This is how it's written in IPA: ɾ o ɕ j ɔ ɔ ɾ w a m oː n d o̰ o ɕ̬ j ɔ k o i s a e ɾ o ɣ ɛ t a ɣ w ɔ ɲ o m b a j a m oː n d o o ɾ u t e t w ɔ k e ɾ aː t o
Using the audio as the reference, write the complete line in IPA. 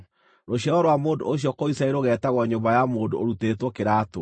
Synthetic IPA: ɾ o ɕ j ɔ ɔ ɾ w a m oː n d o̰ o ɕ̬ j ɔ k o i s a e ɾ o ɣ ɛ t a ɣ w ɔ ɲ o m b a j a m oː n d o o ɾ u t e t w ɔ k e ɾ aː t o